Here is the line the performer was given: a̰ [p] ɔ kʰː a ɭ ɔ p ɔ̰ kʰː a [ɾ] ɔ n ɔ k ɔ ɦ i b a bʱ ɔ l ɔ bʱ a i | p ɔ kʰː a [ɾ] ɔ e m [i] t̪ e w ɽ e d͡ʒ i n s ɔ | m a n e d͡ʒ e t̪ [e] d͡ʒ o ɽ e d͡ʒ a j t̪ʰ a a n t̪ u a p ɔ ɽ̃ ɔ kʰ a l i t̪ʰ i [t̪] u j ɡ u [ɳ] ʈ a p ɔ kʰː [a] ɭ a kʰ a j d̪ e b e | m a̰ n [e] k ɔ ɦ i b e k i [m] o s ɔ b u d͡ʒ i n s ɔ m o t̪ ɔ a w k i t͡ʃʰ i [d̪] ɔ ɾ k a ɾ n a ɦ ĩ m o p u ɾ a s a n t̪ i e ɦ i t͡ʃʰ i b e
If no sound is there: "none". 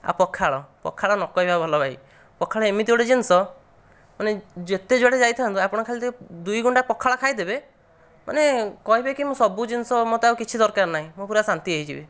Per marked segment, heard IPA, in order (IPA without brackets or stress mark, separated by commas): p, ɭ, ɭ, i, e, d̪, ɳ, a, e, m, d̪